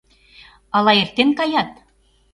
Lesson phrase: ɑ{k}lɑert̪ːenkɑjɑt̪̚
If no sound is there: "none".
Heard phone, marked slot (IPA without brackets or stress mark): none